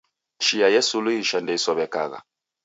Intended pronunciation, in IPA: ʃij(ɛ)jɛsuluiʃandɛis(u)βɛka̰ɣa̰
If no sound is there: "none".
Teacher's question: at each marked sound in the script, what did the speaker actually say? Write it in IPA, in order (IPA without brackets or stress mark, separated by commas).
a, ɔ